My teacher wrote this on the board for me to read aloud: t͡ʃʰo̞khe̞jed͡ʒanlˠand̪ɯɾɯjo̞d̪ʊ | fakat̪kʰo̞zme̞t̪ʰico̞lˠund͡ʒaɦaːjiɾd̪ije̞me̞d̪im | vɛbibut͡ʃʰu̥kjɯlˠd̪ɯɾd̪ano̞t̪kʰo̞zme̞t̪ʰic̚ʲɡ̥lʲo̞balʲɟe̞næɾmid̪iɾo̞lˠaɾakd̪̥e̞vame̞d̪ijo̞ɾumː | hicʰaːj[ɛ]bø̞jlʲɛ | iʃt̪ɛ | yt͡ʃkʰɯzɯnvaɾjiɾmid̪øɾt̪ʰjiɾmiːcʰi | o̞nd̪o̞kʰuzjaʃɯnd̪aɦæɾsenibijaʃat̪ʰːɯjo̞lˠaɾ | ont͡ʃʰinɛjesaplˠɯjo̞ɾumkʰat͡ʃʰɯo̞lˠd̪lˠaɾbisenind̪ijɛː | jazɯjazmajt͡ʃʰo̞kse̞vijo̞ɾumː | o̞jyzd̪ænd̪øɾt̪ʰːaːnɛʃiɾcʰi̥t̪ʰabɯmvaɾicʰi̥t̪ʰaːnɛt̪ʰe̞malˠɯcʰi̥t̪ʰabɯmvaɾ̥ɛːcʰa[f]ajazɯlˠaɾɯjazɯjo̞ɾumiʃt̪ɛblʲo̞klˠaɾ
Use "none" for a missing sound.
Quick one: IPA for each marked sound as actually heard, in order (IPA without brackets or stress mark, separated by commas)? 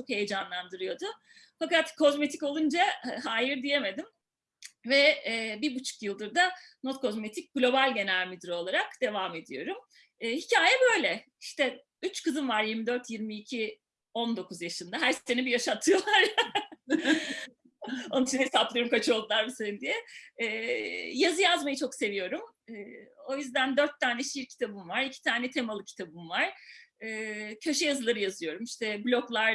ɛ, ʃ